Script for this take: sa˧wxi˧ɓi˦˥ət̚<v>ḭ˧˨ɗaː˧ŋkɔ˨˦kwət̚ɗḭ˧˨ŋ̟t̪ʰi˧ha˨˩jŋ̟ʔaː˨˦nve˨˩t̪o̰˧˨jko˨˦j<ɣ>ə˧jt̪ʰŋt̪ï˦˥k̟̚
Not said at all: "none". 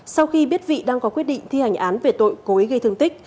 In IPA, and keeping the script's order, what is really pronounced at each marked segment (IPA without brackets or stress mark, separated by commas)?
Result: v, ɣ